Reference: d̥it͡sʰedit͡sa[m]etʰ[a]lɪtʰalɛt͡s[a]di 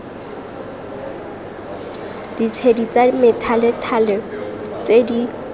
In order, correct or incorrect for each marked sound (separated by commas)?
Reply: correct, correct, incorrect